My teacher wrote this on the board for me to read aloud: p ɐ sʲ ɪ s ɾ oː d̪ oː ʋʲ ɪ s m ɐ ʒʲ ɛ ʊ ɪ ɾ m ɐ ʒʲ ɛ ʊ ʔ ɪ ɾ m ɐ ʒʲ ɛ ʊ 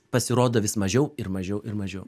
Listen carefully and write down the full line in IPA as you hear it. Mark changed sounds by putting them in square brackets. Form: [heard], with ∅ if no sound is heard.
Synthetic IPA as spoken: p ɐ sʲ ɪ [∅] ɾ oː d̪ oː ʋʲ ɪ s m ɐ ʒʲ ɛ ʊ ɪ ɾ m ɐ ʒʲ ɛ ʊ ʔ ɪ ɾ m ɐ ʒʲ ɛ ʊ